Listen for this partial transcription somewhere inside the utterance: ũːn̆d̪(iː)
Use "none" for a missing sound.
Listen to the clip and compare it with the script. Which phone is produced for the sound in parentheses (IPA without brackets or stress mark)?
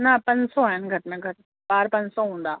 aː